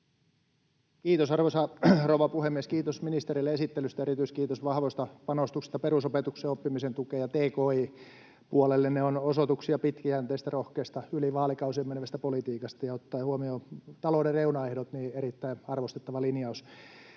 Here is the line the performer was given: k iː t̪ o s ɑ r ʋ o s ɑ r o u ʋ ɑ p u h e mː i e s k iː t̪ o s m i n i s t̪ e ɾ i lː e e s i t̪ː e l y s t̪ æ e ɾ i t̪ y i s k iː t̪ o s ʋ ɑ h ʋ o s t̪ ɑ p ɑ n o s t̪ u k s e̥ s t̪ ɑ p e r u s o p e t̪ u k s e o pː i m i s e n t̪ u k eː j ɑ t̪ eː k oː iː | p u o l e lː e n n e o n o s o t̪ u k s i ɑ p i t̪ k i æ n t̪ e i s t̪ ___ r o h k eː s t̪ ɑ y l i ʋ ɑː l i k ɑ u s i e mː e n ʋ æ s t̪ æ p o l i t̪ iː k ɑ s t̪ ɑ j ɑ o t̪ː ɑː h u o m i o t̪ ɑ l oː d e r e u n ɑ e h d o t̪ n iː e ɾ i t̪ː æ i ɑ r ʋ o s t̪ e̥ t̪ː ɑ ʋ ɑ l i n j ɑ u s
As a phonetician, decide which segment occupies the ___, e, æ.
æ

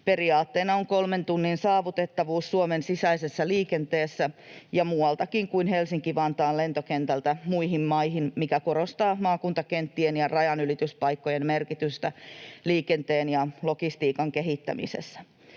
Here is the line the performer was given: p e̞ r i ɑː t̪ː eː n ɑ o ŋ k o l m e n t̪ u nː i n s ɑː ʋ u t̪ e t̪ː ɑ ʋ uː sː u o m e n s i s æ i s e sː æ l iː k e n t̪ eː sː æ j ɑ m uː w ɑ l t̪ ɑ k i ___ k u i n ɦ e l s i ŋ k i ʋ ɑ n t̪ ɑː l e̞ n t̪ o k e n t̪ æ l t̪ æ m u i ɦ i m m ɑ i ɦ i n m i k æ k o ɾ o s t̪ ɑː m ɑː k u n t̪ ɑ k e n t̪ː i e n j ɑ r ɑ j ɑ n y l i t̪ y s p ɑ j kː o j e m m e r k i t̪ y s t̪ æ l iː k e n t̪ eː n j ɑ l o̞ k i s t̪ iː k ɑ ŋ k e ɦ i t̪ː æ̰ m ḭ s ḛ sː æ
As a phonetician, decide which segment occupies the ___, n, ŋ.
ŋ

